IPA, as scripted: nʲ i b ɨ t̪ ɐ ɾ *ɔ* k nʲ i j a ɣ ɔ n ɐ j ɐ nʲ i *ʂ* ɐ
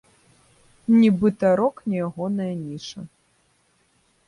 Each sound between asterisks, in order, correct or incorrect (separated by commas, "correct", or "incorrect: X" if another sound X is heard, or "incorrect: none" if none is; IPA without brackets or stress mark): correct, correct